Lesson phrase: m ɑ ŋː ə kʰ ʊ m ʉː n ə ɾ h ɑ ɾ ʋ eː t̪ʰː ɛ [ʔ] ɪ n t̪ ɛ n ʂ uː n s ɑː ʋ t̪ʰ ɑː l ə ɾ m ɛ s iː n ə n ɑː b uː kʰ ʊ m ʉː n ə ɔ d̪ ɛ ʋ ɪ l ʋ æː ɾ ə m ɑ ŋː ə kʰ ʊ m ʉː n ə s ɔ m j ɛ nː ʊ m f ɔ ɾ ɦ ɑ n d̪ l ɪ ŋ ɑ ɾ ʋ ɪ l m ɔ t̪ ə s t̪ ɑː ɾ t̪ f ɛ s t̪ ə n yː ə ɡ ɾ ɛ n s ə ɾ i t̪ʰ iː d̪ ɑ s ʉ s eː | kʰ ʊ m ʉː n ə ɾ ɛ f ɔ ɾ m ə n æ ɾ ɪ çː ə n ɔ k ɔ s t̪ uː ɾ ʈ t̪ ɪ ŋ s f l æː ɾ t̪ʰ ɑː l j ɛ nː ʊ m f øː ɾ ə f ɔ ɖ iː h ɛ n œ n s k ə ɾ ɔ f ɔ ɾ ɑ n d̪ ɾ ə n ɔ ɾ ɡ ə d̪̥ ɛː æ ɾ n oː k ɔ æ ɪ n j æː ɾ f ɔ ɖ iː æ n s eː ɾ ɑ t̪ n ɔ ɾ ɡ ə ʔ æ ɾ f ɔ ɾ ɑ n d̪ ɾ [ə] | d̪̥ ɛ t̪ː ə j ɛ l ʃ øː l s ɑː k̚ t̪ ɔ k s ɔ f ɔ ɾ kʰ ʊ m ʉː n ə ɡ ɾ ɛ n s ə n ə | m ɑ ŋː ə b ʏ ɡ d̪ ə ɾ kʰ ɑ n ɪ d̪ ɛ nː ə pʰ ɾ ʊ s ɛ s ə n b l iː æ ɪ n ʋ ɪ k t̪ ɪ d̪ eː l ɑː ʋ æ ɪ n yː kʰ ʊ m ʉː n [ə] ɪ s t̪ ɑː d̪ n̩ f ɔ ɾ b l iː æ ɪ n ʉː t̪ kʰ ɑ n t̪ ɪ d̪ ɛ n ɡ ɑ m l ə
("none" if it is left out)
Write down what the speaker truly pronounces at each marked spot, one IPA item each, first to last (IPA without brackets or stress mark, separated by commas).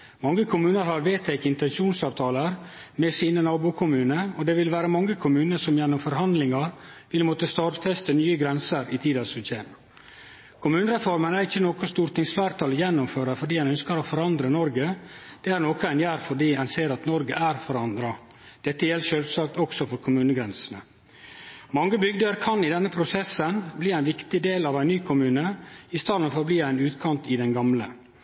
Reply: k, ɑ, ə